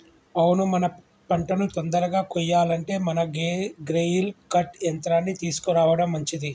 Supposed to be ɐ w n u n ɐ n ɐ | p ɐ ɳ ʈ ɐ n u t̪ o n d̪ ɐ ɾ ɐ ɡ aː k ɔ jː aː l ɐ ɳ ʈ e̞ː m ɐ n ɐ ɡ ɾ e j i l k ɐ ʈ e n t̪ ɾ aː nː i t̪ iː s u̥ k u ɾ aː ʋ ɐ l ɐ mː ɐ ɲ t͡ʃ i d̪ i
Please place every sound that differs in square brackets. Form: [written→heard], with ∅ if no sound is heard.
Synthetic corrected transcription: ɐ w n u [n→m] ɐ n ɐ | p ɐ ɳ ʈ ɐ n u t̪ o n d̪ ɐ ɾ ɐ ɡ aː k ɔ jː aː l ɐ ɳ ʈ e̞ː m ɐ n ɐ ɡ ɾ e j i l k ɐ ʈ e n t̪ ɾ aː nː i t̪ iː s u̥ k u ɾ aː ʋ ɐ [l→ɽ] ɐ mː ɐ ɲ t͡ʃ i d̪ i